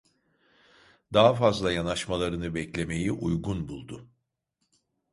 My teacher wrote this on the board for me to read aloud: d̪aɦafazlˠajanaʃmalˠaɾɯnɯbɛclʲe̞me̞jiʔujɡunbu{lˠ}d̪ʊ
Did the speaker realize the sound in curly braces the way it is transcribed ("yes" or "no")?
yes